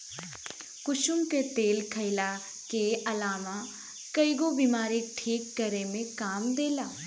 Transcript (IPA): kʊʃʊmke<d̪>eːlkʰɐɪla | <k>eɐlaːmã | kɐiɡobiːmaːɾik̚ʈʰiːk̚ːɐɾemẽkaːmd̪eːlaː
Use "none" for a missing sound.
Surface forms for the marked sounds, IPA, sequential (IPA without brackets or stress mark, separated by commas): t̪, k